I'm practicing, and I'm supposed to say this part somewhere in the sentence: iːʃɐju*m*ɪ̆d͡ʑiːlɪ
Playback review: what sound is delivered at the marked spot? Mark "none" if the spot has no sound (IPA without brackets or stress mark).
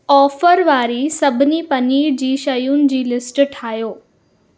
n